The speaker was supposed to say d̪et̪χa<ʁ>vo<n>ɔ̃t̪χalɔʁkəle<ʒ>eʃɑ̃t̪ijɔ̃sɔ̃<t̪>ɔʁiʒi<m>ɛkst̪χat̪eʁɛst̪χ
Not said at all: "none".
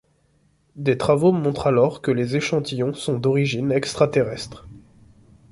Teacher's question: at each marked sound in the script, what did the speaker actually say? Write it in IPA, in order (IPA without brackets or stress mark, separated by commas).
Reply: none, m, z, d̪, n